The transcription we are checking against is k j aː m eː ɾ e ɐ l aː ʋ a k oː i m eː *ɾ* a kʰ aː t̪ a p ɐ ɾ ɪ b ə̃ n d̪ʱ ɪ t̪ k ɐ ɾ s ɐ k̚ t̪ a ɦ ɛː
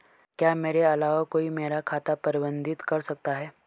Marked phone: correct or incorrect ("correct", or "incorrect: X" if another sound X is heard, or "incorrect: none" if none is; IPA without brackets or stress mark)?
correct